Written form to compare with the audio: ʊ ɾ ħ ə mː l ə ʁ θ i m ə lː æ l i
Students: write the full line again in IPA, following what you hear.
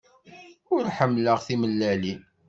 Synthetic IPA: ʊ ɾ ħ ə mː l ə ʁ θ i m ə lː æ l i